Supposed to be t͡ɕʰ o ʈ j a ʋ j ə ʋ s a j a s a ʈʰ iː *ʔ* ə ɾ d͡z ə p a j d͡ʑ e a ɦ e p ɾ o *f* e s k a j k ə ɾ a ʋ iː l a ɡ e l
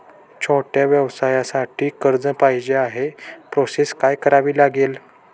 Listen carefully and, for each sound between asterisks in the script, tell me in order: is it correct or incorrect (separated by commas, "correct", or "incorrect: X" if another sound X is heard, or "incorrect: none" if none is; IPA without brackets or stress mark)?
incorrect: k, incorrect: s